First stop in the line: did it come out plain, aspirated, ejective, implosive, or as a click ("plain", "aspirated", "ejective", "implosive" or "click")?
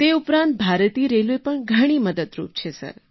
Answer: plain